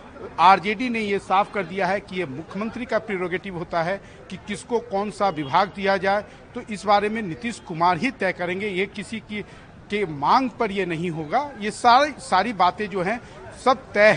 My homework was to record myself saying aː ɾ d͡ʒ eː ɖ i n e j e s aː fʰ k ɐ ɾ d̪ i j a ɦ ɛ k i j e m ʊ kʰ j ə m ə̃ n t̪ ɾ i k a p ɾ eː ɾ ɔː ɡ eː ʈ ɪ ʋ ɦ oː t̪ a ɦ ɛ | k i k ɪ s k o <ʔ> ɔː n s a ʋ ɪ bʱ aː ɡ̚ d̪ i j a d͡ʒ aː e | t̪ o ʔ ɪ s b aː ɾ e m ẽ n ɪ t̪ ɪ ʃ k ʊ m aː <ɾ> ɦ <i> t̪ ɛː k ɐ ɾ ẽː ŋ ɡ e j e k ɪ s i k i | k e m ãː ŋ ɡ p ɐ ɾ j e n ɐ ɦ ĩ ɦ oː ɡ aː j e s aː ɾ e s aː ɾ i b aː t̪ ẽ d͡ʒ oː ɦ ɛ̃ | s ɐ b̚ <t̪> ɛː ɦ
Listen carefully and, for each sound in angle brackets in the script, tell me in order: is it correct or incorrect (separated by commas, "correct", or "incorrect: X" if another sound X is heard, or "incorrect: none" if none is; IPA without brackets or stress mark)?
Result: incorrect: k, correct, correct, correct